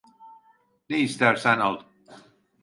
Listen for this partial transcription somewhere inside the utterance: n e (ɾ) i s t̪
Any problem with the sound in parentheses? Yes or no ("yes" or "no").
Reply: yes